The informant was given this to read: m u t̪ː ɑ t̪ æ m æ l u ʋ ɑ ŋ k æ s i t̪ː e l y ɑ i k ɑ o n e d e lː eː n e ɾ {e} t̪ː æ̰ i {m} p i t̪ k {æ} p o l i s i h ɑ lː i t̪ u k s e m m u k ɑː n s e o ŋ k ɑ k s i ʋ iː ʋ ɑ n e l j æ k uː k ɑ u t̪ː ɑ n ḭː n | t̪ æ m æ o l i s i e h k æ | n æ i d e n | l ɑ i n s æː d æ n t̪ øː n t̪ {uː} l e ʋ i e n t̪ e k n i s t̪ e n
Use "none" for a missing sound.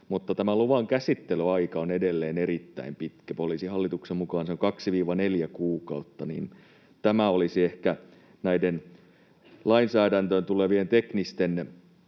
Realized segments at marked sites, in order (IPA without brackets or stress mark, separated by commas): i, m, æ, u